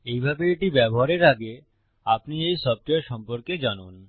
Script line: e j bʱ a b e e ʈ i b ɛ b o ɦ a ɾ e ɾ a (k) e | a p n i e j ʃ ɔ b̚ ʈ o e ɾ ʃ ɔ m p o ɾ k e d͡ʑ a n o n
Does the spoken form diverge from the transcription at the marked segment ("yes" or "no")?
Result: yes